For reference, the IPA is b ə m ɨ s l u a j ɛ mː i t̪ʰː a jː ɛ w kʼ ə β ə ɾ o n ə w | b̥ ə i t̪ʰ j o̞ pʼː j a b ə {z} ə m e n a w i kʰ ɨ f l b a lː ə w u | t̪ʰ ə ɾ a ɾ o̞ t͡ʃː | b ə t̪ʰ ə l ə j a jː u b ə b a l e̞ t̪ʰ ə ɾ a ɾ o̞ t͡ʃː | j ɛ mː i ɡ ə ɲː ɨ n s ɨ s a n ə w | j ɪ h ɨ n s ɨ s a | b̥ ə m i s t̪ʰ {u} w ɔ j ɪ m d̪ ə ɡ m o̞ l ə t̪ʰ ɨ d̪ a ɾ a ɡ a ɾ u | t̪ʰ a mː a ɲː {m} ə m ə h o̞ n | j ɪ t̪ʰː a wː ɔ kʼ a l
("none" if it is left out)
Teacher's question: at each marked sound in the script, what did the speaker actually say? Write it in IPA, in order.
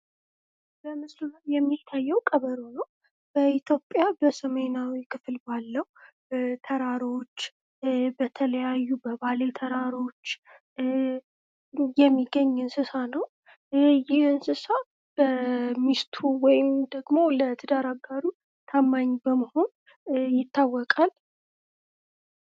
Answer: s, u, b

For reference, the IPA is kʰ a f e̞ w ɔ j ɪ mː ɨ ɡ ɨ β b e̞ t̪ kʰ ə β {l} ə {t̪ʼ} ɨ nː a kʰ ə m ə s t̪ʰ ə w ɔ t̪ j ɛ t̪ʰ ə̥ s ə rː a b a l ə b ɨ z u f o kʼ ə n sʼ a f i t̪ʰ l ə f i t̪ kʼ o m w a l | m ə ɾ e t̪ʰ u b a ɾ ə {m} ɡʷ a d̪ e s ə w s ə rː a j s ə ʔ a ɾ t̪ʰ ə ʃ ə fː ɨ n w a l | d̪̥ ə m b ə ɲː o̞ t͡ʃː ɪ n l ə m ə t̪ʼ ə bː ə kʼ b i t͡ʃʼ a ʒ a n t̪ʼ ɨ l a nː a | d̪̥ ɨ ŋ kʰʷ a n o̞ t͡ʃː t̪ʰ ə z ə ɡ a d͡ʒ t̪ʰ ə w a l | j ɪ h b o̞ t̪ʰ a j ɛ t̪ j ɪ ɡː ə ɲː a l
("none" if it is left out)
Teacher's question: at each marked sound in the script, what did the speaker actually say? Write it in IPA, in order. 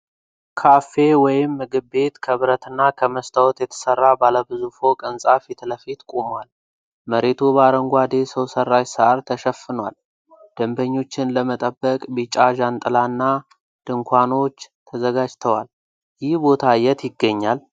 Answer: ɾ, t̪, ŋ

